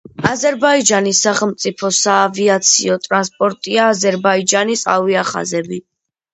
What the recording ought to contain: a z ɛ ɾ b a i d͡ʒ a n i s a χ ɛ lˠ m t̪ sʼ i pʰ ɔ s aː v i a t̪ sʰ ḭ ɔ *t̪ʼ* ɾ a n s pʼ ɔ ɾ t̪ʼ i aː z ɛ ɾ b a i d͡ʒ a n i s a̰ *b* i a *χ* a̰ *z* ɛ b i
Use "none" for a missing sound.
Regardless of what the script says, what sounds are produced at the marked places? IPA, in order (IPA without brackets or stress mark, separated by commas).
t̪ʼ, v, χ, z